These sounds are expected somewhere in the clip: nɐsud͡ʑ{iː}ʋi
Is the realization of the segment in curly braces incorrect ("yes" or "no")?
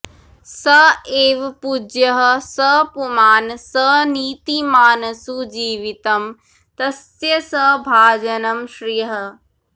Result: no